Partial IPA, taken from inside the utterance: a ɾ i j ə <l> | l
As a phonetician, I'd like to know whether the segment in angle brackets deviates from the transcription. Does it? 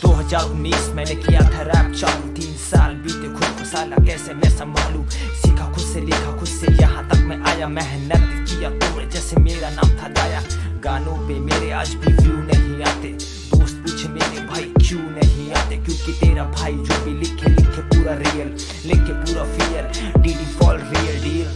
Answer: no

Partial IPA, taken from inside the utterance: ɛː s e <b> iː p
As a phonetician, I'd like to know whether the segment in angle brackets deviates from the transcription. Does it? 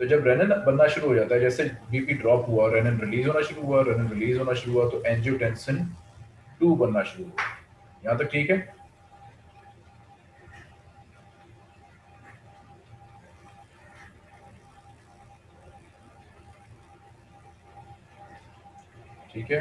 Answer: no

